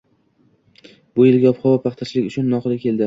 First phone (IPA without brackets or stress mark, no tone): b